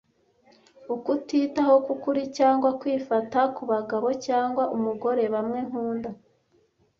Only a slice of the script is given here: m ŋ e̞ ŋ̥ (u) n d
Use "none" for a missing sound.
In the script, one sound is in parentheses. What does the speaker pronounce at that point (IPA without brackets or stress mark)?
uː